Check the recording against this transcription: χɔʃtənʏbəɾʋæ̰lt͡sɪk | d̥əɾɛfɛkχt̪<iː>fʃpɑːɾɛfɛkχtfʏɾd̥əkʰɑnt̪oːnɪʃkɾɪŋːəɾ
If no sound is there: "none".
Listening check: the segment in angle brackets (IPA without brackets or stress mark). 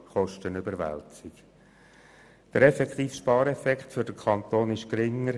iː